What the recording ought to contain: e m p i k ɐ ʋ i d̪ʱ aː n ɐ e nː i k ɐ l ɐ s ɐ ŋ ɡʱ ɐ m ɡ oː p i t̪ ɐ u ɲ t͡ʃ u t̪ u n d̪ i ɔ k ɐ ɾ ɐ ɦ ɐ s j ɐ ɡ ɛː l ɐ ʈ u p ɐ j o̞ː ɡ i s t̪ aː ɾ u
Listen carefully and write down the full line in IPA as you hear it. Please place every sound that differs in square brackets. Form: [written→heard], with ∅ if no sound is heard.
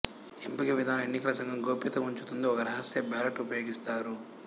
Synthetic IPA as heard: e m p i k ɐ ʋ i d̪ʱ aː n ɐ e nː i k ɐ l ɐ s ɐ ŋ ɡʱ ɐ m ɡ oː p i t̪ ɐ u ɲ t͡ʃ u t̪ u n d̪ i ɔ k ɐ ɾ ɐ ɦ ɐ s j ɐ [ɡ→b] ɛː l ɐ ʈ u p ɐ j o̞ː ɡ i s t̪ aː ɾ u